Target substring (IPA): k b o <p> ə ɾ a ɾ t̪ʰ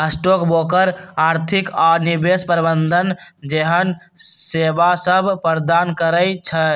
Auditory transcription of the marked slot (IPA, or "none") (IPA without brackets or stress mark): k